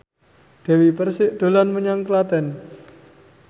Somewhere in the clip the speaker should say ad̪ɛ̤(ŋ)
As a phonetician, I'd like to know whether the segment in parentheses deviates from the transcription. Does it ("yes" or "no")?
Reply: yes